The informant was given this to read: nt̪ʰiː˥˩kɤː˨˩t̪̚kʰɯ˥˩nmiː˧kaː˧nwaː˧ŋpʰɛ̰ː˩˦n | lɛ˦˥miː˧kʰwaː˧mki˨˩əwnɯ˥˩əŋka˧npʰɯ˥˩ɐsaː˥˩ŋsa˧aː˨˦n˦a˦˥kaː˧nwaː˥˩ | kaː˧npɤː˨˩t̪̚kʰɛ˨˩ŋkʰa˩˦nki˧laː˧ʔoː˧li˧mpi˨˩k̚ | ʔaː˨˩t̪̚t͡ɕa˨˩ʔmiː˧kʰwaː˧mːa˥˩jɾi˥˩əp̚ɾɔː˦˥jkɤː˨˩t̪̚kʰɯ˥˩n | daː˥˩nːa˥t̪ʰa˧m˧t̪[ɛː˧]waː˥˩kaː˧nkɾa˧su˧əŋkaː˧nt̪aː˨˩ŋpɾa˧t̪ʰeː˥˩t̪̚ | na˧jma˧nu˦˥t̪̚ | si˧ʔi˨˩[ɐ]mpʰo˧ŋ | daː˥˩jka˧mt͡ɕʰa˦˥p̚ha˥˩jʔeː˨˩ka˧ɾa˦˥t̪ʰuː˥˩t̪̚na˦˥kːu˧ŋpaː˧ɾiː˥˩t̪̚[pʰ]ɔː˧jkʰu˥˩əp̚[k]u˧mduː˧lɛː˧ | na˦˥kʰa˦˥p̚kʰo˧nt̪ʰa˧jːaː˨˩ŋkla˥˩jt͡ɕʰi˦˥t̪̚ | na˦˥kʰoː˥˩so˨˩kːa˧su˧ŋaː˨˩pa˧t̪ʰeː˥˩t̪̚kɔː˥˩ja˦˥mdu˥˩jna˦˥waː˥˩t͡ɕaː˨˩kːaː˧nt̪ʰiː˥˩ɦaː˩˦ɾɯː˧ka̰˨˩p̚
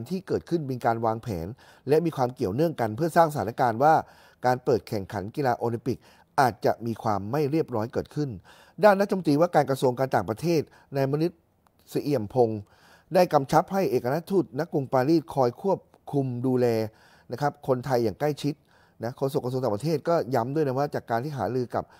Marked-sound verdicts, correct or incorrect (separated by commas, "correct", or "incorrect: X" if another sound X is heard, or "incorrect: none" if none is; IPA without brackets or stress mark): incorrect: iː˧, incorrect: ə, incorrect: kʰ, incorrect: kʰ